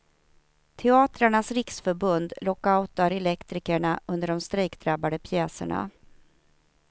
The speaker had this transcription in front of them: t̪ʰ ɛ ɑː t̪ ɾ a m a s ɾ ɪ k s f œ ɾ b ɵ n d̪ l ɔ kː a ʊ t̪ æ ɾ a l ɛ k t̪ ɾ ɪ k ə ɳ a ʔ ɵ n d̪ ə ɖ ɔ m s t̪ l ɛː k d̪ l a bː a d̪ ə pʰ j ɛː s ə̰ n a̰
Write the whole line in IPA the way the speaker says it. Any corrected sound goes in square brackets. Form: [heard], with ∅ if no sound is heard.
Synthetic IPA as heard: t̪ʰ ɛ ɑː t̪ ɾ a [ɳ] a s ɾ ɪ k s f œ ɾ b ɵ n d̪ l ɔ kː a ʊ t̪ [a] ɾ [ɛ] l ɛ k t̪ ɾ ɪ k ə ɳ a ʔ ɵ n d̪ ə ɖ ɔ m s t̪ [ɾ] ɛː k d̪ [ɾ] a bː a d̪ ə pʰ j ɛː s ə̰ [ɳ] a̰